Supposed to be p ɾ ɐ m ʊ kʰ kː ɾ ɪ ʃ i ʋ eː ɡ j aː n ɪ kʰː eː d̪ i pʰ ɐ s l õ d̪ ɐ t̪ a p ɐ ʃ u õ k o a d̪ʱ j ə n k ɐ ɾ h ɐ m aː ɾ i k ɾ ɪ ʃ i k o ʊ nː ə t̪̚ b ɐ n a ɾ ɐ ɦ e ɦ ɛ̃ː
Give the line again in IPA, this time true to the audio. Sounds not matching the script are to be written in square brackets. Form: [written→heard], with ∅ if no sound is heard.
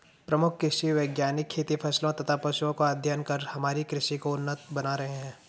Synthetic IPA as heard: p ɾ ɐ m ʊ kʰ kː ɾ ɪ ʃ i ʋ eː ɡ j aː n ɪ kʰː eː [d̪→t̪] i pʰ ɐ s l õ [d̪→t̪] ɐ [t̪→t̪ʰ] a p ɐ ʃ u õ k o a d̪ʱ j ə n k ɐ ɾ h ɐ m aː ɾ i k ɾ ɪ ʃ i k o ʊ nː ə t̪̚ b ɐ n a ɾ ɐ ɦ e ɦ ɛ̃ː